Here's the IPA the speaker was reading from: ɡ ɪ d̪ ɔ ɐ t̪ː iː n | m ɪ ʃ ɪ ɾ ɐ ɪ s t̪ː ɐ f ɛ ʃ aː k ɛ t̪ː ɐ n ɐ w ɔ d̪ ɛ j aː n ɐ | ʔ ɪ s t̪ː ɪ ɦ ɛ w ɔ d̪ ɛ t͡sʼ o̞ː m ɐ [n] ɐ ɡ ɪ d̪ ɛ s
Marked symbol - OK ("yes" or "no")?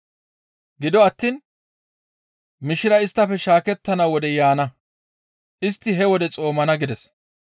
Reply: yes